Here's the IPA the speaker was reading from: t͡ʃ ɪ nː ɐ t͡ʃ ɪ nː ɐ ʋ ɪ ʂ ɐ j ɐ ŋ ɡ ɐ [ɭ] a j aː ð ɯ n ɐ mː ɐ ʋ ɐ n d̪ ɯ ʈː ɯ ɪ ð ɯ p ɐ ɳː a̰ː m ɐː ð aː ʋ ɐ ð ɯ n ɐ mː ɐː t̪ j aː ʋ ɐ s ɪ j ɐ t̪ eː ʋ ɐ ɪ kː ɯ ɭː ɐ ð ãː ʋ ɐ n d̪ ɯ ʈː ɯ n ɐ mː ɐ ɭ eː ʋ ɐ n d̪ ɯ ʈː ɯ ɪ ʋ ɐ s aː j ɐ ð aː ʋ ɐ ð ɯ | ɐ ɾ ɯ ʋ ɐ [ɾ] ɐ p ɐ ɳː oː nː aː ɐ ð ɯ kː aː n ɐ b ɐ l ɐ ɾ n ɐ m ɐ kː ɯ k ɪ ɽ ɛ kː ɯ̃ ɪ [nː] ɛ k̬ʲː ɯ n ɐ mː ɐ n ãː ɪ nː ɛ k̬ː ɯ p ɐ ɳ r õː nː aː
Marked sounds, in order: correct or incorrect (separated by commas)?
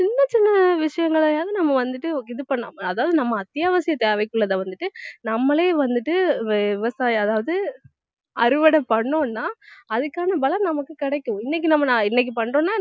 correct, incorrect, correct